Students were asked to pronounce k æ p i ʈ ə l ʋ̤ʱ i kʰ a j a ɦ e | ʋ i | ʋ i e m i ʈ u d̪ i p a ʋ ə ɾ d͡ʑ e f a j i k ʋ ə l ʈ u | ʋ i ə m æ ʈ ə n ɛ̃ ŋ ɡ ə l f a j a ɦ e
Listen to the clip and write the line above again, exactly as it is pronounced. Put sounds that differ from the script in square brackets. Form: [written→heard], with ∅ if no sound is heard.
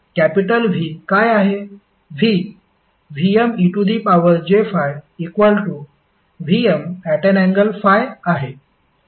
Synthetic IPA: k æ p i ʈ ə l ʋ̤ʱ i [kʰ→k] a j a ɦ e | ʋ i | ʋ i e m i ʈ u d̪ i p a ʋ ə ɾ d͡ʑ e f a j i k ʋ ə l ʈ u | ʋ i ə m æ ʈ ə n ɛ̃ ŋ ɡ ə l f a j a ɦ e